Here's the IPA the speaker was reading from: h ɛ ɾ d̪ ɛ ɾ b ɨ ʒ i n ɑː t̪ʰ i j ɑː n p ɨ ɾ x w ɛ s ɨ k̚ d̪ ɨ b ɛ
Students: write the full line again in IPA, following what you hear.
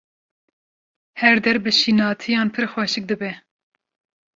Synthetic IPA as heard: h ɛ ɾ d̪ ɛ ɾ b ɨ ʃ i n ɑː t̪ʰ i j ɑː n pʰ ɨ ɾ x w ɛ ʃ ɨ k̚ d̪ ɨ b ɛ